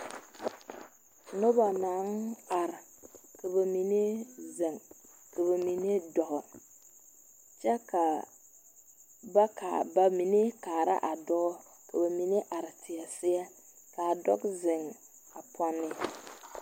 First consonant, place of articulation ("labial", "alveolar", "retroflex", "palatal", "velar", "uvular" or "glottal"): alveolar